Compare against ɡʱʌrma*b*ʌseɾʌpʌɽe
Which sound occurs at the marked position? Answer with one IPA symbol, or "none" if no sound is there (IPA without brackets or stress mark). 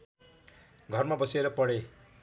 b